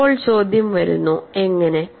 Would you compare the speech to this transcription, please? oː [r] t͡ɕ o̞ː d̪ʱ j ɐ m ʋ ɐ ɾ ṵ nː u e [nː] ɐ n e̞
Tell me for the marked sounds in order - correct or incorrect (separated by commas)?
incorrect, incorrect